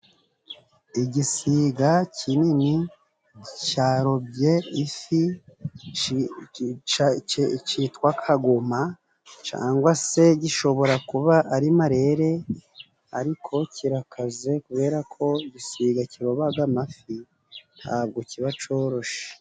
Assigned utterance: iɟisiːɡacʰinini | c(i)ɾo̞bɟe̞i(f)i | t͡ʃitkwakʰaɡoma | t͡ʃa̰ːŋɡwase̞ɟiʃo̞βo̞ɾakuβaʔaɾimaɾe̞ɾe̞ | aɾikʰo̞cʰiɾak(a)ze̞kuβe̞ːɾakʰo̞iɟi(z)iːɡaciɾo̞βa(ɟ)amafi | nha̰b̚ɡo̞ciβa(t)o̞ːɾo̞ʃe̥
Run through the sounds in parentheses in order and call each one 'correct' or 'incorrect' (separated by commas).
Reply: incorrect, correct, correct, incorrect, incorrect, incorrect